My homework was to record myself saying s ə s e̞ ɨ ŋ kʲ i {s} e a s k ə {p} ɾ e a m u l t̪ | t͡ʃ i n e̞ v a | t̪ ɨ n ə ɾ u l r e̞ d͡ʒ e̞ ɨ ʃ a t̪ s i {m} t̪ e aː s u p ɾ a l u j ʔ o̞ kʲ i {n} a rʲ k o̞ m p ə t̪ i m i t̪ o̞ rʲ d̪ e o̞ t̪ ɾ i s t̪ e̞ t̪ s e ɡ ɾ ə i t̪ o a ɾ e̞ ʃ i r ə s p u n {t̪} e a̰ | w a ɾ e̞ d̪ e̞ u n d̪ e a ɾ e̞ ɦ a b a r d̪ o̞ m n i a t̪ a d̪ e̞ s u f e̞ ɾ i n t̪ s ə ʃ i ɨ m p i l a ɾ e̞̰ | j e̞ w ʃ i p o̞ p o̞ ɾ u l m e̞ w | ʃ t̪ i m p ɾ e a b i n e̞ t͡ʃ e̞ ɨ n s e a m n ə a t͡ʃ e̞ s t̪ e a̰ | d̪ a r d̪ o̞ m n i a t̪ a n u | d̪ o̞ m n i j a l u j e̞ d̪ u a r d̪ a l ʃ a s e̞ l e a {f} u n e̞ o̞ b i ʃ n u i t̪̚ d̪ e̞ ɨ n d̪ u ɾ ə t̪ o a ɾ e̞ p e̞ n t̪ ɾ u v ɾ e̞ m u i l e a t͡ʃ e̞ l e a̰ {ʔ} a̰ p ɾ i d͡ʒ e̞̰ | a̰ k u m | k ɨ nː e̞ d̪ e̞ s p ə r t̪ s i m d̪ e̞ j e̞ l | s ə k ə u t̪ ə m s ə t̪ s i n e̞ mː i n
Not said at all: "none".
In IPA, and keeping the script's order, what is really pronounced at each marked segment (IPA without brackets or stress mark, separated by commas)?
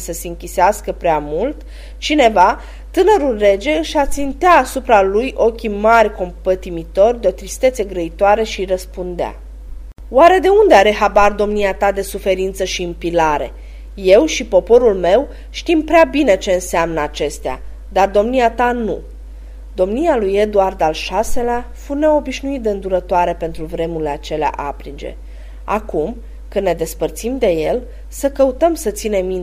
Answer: s, p, n, m, d̪, f, ʔ